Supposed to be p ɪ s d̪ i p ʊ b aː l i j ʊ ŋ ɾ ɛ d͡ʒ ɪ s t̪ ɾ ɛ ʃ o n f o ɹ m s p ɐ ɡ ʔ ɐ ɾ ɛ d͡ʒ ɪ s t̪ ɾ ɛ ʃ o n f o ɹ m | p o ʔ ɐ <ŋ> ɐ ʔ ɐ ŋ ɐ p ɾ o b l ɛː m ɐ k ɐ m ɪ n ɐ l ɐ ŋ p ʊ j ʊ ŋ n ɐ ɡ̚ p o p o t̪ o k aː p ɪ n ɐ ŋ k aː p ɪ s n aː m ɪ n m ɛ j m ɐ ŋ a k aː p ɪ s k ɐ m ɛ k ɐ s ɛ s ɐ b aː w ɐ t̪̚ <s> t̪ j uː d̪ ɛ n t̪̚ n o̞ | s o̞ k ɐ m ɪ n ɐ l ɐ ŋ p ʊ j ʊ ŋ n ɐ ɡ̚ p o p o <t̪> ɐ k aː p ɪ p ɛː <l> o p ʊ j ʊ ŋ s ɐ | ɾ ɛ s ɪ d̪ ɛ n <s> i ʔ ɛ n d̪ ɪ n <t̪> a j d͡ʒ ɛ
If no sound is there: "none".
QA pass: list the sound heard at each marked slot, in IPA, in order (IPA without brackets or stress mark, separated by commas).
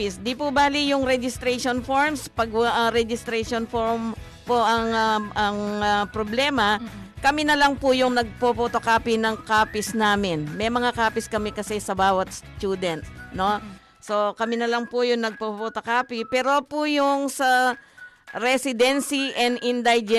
ŋ, s, t̪, ɾ, s, d̪